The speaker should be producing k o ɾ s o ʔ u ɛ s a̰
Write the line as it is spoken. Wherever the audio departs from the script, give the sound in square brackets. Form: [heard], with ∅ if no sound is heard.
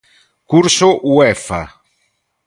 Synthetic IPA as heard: k [u] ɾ s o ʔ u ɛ [f] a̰